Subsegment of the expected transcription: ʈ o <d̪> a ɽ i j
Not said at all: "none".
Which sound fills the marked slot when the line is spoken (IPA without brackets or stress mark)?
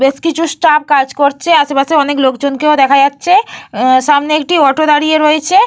d̪